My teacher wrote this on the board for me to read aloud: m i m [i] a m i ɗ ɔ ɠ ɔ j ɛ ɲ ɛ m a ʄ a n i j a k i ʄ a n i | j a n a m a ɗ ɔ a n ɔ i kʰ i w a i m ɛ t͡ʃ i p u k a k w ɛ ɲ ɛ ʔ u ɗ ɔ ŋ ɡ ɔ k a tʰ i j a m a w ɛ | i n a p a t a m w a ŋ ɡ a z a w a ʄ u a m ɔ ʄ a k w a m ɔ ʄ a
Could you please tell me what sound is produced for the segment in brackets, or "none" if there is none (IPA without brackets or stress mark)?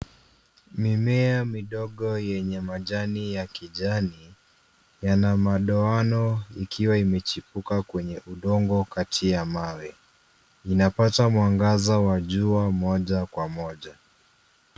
ɛ